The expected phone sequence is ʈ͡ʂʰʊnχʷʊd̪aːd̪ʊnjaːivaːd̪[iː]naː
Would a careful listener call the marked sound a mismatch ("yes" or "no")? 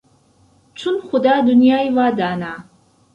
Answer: yes